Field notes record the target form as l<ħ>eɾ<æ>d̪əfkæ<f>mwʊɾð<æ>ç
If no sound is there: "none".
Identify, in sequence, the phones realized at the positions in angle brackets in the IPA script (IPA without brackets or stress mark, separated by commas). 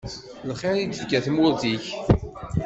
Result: χ, i, θ, i